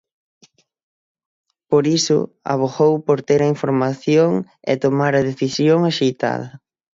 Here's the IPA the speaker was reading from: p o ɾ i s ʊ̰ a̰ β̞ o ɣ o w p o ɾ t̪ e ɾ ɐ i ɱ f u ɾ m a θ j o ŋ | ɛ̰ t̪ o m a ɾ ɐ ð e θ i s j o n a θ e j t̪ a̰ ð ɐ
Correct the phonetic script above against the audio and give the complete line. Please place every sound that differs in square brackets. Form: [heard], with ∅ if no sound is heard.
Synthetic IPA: p o ɾ i s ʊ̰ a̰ β̞ o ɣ o w p o ɾ t̪ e ɾ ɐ i ɱ f [o] ɾ m a θ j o ŋ | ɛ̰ t̪ o m a ɾ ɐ ð e θ i s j o [ŋ] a [ʃ] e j t̪ a̰ ð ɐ